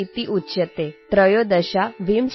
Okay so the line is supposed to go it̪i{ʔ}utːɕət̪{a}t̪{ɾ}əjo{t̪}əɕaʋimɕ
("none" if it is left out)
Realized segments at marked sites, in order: ʔ, e, ɾ, d̪

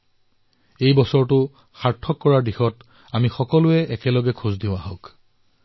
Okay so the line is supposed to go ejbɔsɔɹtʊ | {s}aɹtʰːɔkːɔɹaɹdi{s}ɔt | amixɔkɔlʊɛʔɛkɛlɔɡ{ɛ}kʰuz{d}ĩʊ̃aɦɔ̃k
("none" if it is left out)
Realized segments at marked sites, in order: x, x, ɛ, d

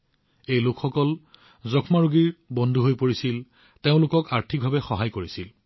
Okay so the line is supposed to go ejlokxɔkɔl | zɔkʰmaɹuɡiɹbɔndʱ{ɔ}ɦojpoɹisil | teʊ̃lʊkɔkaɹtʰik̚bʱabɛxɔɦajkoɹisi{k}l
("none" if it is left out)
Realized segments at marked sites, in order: u, none

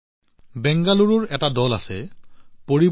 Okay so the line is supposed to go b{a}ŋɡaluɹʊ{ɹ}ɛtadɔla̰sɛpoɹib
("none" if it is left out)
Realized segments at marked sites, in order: ɛ, ɹ

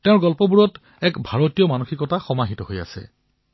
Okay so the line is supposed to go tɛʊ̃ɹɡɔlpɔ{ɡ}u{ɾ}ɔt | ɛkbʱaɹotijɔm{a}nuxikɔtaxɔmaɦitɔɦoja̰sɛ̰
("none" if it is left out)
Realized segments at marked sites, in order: b, ɹ, a

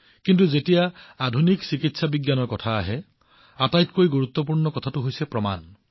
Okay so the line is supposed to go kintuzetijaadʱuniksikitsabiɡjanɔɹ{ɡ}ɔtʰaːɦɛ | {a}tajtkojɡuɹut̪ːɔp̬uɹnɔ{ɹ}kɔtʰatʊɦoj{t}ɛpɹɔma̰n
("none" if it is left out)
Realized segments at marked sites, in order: k, a, none, s

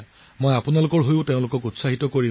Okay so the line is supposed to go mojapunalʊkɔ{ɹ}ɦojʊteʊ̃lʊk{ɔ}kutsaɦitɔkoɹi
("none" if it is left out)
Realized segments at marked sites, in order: ɹ, ɔ

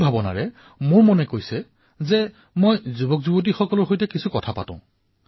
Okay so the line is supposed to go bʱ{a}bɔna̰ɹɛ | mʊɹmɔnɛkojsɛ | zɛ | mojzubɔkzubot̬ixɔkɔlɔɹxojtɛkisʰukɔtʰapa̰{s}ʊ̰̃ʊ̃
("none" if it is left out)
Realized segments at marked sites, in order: a, t

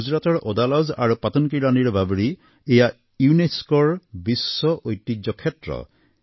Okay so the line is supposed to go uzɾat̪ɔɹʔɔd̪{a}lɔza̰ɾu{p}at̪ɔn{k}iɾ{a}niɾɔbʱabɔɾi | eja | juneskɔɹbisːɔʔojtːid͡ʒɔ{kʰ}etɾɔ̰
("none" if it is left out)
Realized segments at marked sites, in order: a, p, k, a, kʰ

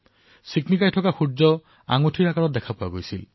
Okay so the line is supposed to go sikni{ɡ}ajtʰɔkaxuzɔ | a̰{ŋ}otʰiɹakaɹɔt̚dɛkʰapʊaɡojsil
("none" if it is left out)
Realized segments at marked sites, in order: k, ŋ

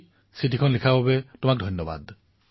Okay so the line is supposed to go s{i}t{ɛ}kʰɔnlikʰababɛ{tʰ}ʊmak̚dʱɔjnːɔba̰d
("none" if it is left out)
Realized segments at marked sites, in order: i, i, t

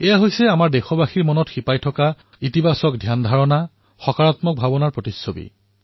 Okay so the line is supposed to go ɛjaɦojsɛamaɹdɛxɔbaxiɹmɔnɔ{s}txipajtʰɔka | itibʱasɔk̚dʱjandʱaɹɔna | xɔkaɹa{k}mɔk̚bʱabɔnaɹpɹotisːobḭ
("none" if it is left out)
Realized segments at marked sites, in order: none, t

